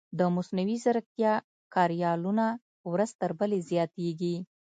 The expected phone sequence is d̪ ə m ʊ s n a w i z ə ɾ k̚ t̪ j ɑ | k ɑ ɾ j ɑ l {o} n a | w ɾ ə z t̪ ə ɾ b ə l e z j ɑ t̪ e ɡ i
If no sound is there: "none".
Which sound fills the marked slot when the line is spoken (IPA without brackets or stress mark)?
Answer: u